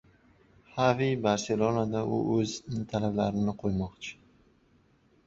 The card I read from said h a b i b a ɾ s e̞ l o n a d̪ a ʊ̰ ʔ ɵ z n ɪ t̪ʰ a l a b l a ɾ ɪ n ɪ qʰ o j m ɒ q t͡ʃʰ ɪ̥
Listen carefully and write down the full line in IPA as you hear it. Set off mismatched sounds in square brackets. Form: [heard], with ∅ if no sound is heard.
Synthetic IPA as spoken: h a [v] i b a ɾ s e̞ l o n a d̪ a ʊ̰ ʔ ɵ z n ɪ t̪ʰ a l a b l a ɾ ɪ n ɪ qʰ o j m ɒ q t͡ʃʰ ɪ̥

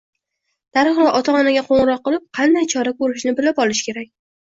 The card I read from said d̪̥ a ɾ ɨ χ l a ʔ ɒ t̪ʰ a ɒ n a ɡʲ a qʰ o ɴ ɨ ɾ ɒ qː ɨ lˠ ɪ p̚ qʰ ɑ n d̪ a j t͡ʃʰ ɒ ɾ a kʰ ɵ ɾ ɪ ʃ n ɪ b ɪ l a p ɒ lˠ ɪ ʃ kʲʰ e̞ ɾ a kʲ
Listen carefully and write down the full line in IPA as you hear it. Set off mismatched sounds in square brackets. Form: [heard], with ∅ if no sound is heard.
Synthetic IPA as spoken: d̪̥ a ɾ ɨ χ l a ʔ ɒ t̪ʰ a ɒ n a ɡʲ a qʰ o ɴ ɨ ɾ ɒ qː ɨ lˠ ɪ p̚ qʰ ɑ n d̪ a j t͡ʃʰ ɒ ɾ a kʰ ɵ ɾ ɪ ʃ n ɪ b ɪ l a p ɒ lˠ ɪ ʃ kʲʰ e̞ ɾ a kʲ

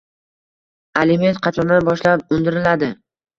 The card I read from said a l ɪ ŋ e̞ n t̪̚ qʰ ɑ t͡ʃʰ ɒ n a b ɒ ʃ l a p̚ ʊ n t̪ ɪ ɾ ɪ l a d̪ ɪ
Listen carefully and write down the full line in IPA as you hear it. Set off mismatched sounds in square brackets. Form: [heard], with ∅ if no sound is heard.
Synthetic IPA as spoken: a l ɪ [m] e̞ n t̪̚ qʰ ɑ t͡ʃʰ ɒ n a b ɒ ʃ l a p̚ ʊ n [d̪] ɪ ɾ ɪ l a d̪ ɪ

